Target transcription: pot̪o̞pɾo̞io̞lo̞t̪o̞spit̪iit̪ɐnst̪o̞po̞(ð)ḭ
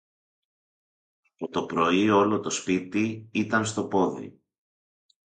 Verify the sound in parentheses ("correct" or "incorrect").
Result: correct